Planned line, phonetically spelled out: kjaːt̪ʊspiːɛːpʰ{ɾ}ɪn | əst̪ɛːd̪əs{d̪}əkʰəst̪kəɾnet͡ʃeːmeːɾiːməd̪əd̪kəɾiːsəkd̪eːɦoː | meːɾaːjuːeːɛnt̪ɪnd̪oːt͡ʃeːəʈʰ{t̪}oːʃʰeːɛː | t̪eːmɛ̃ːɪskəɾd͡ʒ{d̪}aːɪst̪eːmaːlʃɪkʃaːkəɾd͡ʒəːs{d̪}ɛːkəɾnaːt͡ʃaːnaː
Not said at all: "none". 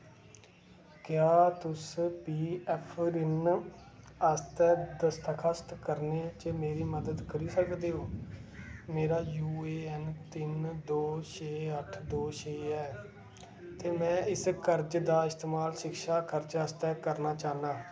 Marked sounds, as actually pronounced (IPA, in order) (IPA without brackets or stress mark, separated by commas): ɾ, t̪, d̪, d̪, t̪